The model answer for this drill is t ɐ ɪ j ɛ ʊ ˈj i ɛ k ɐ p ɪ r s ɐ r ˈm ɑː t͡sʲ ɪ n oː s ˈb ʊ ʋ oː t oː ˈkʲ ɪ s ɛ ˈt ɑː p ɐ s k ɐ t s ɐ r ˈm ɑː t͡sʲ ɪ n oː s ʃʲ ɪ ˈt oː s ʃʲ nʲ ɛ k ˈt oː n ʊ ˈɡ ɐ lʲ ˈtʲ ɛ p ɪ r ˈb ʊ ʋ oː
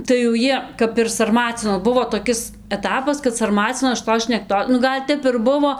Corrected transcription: t ɐ ɪ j ɛ ʊ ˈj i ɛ k ɐ p ɪ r s ɐ r ˈm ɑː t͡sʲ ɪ n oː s ˈb ʊ ʋ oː t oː ˈkʲ ɪ s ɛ ˈt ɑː p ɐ s k ɐ t s ɐ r ˈm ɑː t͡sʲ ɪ n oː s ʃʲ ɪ ˈt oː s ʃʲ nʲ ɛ k ˈt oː n ʊ ˈɡ ɐ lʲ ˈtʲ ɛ p ɪ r ˈb ʊ ʋ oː